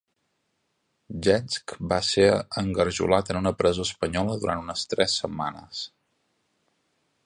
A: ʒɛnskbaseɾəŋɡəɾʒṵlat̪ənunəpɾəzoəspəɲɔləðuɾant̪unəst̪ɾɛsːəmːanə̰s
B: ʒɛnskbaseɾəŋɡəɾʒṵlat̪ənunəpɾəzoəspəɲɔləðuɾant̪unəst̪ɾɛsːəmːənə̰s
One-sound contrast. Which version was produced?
A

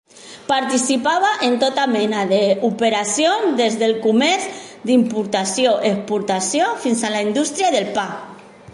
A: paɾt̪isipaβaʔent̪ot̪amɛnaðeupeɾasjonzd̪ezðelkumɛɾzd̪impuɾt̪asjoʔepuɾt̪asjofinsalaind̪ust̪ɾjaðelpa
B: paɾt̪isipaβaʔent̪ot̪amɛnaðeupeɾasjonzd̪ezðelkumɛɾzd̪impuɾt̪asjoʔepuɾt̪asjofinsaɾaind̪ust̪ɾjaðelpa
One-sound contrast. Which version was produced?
A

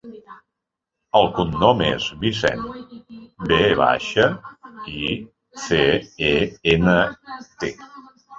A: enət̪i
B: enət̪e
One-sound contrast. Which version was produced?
B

